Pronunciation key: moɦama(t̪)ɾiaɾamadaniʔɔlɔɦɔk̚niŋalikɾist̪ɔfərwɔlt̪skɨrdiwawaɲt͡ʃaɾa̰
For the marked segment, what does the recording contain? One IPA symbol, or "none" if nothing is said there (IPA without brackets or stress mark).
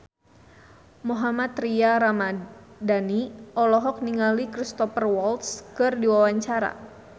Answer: t̪